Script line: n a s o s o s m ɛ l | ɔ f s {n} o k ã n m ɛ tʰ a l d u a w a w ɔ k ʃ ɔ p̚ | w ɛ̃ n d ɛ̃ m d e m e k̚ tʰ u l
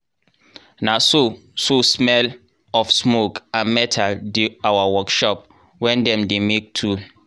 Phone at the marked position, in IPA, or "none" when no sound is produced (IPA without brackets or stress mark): m